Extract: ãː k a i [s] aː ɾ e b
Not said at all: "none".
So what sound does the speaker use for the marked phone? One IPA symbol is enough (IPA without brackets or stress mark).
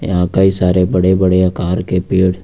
s